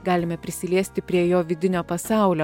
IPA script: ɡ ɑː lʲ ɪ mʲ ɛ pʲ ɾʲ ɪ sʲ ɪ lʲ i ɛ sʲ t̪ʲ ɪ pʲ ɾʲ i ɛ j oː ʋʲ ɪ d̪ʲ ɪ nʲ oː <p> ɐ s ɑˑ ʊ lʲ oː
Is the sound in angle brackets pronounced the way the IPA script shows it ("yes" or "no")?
yes